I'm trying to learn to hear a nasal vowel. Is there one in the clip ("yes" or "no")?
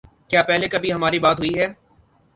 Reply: no